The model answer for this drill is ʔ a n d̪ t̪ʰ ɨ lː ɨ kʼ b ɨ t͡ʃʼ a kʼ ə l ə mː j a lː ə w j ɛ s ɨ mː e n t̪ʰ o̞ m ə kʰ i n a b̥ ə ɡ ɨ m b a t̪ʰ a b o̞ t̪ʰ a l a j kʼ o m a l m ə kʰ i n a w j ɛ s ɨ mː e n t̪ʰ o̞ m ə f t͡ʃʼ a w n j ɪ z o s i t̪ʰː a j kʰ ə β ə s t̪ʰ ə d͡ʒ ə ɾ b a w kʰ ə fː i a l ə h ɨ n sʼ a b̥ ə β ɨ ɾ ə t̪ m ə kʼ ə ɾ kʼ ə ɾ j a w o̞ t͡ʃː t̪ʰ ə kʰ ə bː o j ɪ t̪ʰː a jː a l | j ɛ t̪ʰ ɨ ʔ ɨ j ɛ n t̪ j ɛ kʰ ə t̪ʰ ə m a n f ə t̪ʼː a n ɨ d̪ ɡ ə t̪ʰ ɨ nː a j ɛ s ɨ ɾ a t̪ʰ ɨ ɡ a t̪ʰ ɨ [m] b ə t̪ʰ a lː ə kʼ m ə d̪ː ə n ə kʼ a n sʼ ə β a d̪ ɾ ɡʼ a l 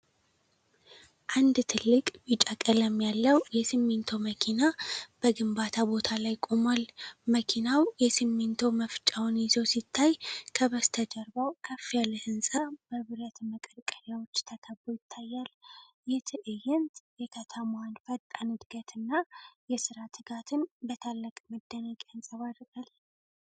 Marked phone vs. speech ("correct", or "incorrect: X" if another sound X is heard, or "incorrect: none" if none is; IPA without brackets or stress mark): incorrect: n